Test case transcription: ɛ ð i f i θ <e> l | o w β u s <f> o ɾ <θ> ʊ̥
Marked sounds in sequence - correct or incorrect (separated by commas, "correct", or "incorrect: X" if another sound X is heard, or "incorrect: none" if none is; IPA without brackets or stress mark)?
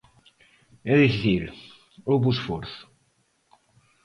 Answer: incorrect: i, correct, correct